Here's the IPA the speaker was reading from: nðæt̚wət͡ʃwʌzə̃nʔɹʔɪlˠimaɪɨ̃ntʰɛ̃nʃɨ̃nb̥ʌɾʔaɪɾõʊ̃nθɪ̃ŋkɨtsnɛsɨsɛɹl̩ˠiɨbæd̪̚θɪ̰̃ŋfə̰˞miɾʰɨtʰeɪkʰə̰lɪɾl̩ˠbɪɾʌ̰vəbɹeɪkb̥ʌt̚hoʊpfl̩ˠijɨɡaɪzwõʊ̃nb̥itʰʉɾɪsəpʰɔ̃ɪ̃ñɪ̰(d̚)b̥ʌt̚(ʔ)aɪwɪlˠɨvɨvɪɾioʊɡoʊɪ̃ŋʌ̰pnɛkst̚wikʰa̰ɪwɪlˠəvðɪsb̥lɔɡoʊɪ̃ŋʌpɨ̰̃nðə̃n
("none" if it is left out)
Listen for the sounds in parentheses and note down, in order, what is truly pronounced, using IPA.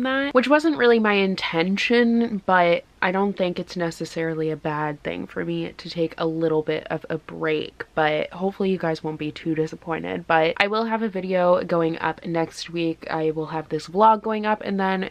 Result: d̚, ʔ

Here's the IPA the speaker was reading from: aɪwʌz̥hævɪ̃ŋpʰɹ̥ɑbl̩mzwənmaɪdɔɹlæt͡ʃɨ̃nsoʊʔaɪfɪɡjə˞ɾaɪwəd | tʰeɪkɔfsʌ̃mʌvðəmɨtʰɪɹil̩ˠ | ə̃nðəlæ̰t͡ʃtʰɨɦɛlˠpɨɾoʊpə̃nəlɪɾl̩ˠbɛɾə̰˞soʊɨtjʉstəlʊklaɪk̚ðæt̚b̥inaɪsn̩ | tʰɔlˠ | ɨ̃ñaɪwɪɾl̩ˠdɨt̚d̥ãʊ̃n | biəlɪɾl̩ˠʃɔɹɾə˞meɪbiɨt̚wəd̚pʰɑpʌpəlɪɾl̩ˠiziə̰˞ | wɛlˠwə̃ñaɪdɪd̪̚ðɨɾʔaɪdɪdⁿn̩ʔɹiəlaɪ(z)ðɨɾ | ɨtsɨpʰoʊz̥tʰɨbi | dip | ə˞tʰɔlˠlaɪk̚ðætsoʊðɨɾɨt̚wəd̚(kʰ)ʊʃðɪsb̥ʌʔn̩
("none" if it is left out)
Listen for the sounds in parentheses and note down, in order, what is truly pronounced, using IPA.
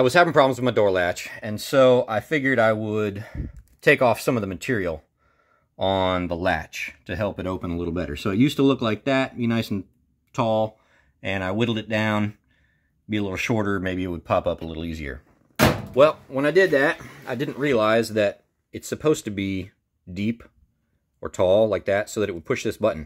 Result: z, pʰ

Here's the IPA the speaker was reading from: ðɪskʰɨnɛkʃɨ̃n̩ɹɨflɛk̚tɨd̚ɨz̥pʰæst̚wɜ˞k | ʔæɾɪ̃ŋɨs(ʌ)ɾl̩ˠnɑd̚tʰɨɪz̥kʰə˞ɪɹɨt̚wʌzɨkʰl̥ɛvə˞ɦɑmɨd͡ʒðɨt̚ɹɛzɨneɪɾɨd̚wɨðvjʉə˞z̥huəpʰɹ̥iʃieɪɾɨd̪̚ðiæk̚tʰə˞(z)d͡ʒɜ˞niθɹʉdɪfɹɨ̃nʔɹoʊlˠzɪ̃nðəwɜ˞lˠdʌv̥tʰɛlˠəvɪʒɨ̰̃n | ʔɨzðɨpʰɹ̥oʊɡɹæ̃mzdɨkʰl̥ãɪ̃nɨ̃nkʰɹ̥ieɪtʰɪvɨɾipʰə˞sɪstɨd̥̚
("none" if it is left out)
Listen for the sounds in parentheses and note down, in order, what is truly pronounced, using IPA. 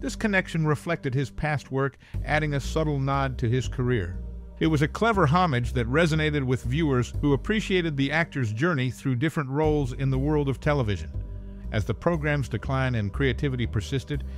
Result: ʌ, z

